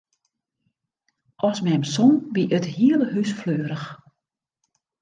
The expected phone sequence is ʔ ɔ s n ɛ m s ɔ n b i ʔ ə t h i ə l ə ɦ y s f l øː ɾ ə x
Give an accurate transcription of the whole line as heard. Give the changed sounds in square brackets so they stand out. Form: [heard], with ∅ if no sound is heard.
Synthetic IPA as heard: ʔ ɔ s [m] ɛ m s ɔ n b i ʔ ə t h i ə l ə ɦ y s f l øː ɾ ə x